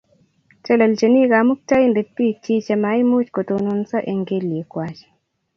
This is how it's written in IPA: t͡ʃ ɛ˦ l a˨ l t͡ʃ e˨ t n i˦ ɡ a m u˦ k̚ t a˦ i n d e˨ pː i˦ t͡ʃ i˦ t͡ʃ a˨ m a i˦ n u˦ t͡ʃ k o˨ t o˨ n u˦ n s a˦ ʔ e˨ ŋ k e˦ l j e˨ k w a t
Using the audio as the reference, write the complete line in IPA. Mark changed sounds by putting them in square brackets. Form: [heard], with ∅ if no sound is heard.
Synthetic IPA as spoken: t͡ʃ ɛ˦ l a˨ l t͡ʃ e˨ [∅] n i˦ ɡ a m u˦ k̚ t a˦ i n d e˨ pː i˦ t͡ʃ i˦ t͡ʃ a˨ m a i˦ [m] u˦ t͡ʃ k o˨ t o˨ n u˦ n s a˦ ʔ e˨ ŋ [ɡ] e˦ l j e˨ k w a [t͡ʃ]